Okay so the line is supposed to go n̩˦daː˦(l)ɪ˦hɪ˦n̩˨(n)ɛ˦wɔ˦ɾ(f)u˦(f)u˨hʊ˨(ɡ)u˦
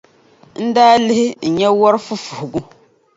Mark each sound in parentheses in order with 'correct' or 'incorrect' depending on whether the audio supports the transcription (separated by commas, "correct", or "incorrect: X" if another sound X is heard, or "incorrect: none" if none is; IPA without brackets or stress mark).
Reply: correct, incorrect: ɲ, correct, correct, correct